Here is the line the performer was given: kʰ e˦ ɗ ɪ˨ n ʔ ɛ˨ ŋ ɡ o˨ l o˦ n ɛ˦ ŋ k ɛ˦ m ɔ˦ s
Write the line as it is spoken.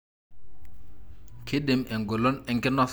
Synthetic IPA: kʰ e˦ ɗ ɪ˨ m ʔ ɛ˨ ŋ ɡ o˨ l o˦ n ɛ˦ ŋ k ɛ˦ n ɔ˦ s